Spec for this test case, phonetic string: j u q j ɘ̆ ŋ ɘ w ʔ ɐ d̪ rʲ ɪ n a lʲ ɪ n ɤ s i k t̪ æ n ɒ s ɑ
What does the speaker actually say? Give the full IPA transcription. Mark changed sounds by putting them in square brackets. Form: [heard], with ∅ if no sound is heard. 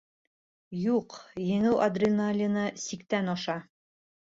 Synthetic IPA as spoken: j u q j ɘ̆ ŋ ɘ w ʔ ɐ d̪ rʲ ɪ n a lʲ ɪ n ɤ s i k t̪ æ n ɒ [ʃ] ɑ